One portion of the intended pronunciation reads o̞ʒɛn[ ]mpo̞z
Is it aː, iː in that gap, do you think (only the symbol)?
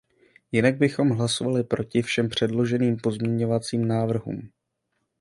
iː